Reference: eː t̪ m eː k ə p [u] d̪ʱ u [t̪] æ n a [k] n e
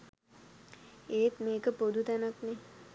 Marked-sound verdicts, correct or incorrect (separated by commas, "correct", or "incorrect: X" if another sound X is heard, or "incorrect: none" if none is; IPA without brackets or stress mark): incorrect: o, correct, correct